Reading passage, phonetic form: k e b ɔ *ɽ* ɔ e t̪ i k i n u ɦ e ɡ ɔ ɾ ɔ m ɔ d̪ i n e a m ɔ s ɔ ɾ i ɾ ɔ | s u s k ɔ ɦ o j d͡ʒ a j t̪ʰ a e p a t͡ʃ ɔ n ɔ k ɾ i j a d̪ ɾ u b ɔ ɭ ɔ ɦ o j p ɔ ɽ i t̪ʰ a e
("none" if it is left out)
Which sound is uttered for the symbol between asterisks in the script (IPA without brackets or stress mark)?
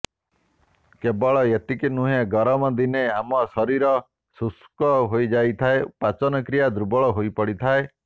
ɭ